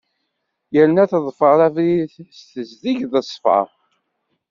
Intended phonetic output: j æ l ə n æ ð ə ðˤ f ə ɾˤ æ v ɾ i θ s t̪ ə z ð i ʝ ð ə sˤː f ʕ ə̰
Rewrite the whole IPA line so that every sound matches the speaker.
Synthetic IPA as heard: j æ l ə n æ θ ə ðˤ f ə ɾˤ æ v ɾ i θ s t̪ ə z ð i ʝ ð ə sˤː f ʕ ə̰